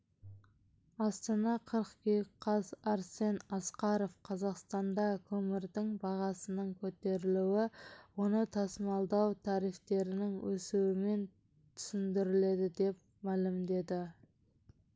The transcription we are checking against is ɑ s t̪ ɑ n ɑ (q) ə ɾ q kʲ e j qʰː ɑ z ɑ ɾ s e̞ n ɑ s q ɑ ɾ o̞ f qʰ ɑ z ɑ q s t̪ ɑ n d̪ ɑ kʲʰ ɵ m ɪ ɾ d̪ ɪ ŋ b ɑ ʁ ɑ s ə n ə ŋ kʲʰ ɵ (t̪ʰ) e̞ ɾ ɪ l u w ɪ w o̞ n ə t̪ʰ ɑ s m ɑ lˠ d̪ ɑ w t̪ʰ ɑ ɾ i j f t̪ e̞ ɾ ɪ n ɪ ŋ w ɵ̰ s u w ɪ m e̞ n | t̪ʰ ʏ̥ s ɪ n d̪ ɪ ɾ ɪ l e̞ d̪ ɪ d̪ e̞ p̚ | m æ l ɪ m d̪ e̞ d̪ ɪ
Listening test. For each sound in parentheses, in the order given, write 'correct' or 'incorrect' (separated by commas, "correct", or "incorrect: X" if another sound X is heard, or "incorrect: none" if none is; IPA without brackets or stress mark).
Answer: incorrect: qʰ, incorrect: t̪